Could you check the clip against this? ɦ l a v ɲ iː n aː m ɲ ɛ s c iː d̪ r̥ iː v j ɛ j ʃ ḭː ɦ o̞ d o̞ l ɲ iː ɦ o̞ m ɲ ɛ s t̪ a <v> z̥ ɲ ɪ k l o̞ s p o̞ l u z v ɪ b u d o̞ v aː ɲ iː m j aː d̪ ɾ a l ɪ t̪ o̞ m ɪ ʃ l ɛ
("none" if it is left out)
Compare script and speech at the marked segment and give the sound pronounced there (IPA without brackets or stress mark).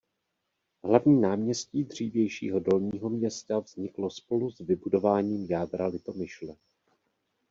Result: v